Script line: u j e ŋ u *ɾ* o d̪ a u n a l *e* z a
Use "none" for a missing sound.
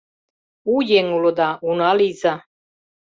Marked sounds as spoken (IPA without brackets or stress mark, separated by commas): l, i